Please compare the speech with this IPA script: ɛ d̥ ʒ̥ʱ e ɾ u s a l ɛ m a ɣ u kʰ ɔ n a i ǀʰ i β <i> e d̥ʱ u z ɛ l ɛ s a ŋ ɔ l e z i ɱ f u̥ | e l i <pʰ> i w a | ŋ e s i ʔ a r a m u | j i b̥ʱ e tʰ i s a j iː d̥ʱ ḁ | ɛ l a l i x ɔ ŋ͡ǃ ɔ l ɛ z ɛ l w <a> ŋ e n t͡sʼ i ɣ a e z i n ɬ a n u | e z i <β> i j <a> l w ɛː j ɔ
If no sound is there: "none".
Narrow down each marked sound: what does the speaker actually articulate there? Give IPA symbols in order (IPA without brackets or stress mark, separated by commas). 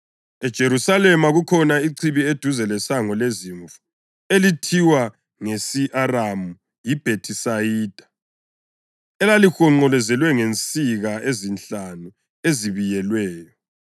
i, tʰ, ɛ, β, ɛ